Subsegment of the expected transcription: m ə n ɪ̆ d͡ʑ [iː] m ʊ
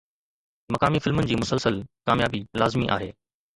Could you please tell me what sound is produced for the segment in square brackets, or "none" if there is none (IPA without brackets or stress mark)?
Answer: iː